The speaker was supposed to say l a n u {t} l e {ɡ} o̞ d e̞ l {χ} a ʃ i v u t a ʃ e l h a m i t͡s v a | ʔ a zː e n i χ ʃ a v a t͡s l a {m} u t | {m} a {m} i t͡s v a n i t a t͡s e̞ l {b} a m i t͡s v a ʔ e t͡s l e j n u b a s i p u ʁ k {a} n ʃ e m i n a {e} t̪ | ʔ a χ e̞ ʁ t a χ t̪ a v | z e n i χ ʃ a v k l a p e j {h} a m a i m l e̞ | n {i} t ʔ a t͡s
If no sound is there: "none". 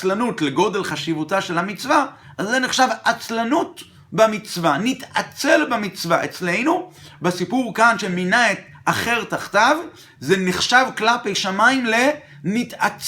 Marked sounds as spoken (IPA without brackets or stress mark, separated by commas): t, ɡ, χ, n, b, m, b, a, e, ʃ, i